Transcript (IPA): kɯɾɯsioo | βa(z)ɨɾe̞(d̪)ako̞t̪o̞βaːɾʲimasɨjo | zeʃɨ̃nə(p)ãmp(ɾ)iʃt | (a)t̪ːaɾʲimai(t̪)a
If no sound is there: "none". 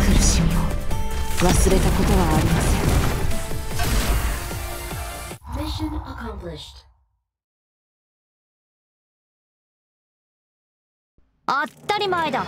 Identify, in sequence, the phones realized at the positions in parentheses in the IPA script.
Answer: s, t̪, k, l, a, d̪

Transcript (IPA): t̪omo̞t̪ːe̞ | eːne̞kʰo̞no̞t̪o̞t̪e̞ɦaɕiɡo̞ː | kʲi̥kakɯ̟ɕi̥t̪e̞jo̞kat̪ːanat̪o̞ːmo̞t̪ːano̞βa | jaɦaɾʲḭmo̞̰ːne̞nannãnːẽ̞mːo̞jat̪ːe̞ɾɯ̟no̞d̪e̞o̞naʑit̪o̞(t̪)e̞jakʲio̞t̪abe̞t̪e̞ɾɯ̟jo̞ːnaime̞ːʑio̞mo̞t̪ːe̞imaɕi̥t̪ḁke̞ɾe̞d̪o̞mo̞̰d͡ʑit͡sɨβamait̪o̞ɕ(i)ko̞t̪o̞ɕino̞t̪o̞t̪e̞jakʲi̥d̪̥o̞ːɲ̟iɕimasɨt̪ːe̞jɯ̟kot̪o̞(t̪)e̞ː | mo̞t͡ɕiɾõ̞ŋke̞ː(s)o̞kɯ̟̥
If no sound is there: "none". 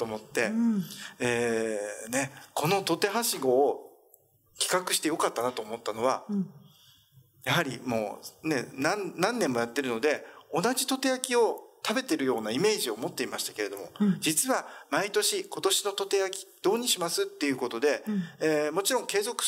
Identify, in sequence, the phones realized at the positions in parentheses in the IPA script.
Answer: t̪, i, d̪, z

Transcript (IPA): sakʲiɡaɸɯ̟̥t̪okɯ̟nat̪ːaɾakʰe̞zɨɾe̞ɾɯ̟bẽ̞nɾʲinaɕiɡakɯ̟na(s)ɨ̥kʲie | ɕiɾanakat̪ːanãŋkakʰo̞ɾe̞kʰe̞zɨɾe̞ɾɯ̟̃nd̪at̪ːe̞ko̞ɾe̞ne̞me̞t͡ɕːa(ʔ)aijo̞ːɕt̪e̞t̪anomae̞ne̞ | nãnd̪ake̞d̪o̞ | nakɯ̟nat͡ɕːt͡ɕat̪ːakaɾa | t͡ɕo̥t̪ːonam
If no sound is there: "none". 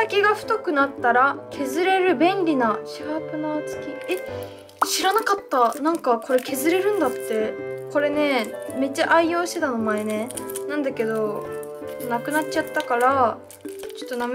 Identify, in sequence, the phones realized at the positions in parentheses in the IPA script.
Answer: t͡s, ʔ

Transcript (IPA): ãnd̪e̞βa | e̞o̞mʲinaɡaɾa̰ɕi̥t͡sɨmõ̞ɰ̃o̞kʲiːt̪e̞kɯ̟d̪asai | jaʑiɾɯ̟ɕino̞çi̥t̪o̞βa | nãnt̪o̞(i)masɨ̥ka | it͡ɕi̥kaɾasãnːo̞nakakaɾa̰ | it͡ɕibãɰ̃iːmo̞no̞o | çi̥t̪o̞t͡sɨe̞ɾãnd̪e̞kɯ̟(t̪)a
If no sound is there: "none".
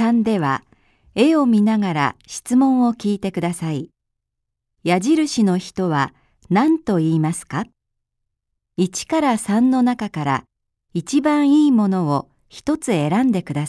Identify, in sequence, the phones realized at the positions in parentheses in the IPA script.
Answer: iː, d̪

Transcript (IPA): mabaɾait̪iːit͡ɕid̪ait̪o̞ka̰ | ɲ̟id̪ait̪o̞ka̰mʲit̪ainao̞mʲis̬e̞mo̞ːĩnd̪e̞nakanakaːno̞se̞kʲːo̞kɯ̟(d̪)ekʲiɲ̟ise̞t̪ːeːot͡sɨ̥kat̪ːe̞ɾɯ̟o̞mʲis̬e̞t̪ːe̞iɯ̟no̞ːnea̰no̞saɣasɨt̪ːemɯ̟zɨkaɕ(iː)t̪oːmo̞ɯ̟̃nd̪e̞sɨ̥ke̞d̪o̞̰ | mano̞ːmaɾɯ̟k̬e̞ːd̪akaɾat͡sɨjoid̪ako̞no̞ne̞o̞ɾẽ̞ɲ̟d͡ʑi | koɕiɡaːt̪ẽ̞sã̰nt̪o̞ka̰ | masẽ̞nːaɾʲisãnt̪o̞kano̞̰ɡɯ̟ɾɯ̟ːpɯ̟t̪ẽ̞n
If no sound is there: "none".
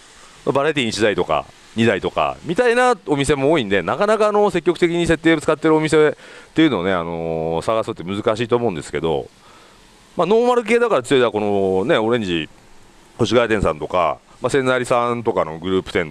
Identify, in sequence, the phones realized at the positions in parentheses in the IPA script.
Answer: t̪, iː

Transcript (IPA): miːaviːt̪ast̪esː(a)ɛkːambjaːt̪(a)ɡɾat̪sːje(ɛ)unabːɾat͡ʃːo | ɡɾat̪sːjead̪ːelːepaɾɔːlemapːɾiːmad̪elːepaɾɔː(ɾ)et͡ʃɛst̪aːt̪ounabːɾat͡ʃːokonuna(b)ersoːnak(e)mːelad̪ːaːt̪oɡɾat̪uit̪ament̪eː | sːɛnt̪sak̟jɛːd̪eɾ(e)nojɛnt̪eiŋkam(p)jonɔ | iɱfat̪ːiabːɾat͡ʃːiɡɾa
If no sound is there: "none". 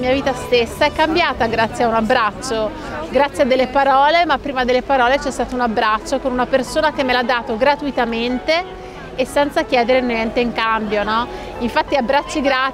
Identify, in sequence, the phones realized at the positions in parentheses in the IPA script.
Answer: a, a, a, l, p, e, e, b

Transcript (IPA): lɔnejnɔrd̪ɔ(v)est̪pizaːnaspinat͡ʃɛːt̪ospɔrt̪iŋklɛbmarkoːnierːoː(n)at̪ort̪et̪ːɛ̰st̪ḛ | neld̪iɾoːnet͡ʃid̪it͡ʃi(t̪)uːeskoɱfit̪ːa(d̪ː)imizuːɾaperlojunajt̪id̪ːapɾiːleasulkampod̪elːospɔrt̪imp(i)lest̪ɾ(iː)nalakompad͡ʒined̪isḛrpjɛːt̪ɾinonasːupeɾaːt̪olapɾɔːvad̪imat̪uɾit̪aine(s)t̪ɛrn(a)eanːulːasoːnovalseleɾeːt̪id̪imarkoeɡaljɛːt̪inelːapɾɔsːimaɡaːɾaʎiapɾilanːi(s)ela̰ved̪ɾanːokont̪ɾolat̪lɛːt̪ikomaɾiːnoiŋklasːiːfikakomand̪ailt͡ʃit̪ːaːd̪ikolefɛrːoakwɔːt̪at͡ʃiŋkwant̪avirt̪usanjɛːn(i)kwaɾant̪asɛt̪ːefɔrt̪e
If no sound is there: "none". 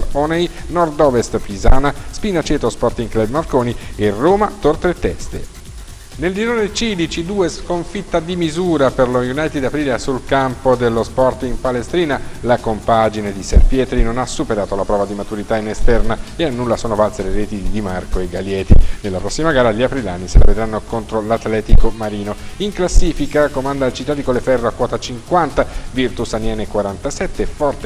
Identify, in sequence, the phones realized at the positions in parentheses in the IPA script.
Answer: v, m, d̪, d̪, a, iː, s, a, s, e

